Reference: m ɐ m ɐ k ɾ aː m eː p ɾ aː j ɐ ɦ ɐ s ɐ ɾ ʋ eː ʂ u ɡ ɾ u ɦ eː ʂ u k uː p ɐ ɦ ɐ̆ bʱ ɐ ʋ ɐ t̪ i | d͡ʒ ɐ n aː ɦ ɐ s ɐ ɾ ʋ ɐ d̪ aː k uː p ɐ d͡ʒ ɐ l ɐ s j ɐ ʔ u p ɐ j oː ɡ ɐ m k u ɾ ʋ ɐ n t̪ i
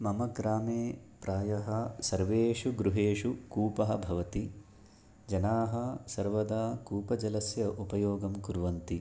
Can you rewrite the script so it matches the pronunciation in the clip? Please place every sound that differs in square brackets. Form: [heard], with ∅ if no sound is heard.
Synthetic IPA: m ɐ m ɐ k ɾ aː m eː p ɾ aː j ɐ ɦ ɐ s ɐ ɾ ʋ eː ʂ u ɡ ɾ u ɦ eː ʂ u k uː p ɐ ɦ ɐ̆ bʱ ɐ ʋ ɐ t̪ i | d͡ʒ ɐ n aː ɦ ɐ s ɐ ɾ ʋ ɐ d̪ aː k uː p ɐ d͡ʒ ɐ l ɐ s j ɐ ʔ u p ɐ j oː ɡ ɐ m k u ɾ ʋ ɐ n t̪ i

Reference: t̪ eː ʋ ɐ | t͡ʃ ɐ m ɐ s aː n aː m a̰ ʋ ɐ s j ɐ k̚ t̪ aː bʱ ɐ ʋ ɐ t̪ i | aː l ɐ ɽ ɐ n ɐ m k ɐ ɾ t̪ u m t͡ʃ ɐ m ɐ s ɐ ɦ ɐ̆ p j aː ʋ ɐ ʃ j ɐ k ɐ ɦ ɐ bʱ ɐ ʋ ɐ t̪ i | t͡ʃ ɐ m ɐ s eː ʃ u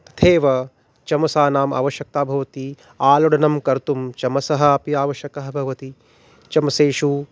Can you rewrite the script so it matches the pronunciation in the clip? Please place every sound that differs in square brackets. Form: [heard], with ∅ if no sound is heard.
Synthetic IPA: [t̪ʰ] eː ʋ ɐ | t͡ʃ ɐ m ɐ s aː n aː m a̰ ʋ ɐ [ʃ] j ɐ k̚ t̪ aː bʱ ɐ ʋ ɐ t̪ i | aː l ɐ ɽ ɐ n ɐ m k ɐ ɾ t̪ u m t͡ʃ ɐ m ɐ s ɐ ɦ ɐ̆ p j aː ʋ ɐ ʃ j ɐ k ɐ ɦ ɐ bʱ ɐ ʋ ɐ t̪ i | t͡ʃ ɐ m ɐ s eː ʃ u

